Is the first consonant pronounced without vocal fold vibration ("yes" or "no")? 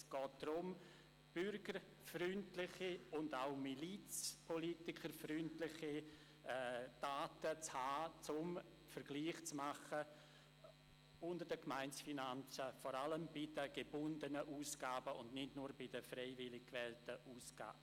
yes